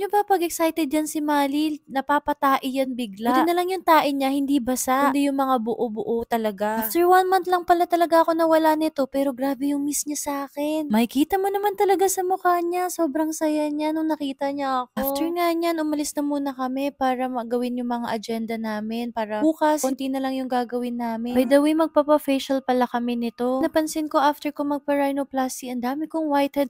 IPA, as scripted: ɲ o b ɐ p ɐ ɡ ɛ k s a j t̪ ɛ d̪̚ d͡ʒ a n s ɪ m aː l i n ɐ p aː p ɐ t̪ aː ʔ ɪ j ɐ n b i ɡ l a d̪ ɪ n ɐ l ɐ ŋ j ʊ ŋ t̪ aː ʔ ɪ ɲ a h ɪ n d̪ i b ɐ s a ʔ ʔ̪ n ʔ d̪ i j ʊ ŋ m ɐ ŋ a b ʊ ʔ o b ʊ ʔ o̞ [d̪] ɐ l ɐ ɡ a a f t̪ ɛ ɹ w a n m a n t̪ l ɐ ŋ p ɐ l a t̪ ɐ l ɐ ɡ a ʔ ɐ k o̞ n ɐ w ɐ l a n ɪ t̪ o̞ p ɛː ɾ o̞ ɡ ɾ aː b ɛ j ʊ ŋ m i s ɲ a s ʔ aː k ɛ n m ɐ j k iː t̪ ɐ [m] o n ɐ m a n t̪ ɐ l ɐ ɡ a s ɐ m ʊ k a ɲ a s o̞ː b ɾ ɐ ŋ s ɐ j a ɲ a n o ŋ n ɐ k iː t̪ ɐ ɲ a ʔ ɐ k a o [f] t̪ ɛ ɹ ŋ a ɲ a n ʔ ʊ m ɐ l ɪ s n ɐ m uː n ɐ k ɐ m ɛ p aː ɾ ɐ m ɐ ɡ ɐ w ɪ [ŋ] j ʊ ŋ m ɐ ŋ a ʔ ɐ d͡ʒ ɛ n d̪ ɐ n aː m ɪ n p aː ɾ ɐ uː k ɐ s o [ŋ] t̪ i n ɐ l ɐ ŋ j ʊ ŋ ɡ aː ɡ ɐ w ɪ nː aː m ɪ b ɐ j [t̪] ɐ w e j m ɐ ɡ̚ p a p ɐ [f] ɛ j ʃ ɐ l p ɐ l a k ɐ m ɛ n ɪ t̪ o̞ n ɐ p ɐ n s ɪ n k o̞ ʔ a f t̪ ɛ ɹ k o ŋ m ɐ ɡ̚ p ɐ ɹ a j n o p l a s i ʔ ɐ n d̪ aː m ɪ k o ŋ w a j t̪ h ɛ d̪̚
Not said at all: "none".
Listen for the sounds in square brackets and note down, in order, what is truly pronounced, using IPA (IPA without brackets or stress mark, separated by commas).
t̪, m, f, n, n, d̪, f